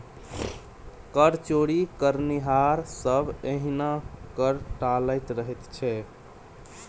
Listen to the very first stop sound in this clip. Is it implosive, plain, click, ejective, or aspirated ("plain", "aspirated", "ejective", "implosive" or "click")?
plain